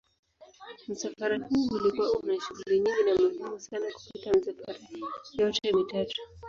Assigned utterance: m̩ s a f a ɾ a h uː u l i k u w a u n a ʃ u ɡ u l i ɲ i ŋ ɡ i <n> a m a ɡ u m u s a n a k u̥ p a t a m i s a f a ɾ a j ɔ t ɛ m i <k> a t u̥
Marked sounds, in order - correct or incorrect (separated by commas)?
correct, incorrect